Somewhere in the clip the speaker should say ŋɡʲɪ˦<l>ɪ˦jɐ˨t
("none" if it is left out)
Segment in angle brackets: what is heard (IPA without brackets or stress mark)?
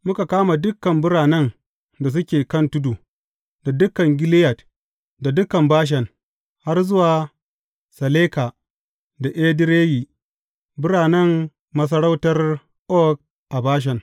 l